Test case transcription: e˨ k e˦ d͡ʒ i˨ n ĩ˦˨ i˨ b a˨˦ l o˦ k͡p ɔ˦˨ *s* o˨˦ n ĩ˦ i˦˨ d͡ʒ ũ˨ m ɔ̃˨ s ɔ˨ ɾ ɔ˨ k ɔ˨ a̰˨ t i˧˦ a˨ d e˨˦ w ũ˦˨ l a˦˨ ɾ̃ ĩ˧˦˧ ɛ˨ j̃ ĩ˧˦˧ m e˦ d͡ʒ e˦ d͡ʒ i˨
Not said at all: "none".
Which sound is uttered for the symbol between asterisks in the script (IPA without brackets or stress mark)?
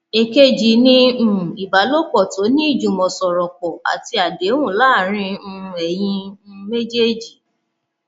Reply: t